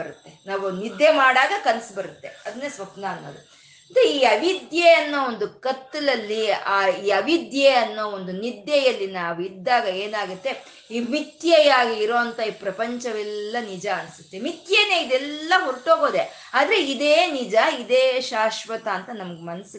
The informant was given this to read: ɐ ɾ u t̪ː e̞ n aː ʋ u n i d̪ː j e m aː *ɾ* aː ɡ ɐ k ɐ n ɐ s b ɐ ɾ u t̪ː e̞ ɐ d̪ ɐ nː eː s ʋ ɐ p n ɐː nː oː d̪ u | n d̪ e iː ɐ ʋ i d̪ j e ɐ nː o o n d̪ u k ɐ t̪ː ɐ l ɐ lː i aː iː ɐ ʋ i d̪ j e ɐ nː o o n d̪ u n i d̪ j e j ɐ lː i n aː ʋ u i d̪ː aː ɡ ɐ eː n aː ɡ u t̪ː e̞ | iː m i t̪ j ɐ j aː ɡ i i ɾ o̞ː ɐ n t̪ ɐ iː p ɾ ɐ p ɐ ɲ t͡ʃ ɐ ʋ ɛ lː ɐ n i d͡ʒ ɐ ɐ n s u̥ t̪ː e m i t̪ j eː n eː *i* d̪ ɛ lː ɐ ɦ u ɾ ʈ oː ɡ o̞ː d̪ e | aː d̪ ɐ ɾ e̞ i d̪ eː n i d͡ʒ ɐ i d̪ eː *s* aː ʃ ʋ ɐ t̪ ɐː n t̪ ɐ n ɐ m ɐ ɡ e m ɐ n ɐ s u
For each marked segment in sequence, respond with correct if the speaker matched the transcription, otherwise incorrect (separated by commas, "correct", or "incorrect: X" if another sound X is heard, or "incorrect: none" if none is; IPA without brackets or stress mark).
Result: incorrect: ɽ, correct, incorrect: ʃ